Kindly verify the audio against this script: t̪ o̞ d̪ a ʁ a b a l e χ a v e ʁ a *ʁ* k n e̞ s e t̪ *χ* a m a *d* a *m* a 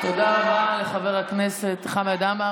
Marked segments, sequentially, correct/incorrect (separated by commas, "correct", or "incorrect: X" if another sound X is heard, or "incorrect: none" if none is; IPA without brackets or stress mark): incorrect: none, correct, correct, correct